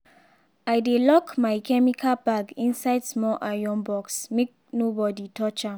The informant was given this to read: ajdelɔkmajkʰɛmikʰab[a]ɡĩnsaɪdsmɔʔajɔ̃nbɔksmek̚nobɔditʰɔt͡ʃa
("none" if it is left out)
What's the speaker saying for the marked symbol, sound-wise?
a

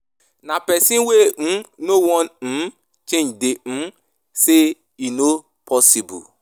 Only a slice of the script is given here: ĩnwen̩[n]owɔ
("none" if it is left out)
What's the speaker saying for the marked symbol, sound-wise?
n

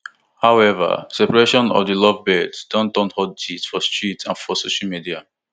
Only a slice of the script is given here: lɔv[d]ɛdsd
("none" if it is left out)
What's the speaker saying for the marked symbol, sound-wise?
b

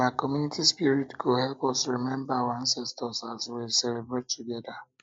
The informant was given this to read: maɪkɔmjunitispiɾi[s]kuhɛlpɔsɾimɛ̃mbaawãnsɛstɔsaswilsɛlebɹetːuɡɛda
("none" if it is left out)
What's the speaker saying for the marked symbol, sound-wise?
t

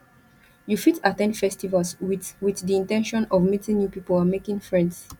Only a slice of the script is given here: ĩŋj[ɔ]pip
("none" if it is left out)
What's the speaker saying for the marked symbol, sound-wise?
u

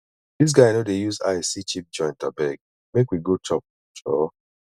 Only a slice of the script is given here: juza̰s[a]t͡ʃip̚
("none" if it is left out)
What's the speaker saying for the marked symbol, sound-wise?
i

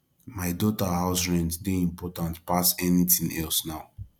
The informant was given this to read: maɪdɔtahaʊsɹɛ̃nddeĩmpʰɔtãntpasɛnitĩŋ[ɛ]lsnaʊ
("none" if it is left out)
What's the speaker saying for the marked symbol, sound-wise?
ɛ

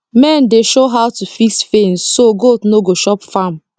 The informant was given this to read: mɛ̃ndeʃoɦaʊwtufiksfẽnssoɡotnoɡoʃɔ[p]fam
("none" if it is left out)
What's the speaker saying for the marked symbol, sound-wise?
p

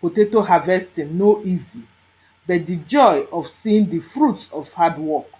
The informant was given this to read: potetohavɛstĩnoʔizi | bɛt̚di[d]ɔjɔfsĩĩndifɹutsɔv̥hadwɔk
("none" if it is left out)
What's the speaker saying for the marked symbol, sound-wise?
d͡ʒ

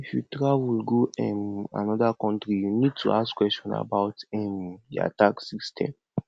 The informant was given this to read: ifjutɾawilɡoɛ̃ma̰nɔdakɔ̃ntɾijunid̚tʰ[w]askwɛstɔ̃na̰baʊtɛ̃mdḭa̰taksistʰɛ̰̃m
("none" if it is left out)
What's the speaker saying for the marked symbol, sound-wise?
u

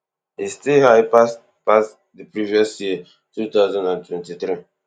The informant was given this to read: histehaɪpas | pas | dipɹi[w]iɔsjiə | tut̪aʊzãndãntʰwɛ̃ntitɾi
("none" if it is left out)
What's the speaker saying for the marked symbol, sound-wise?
v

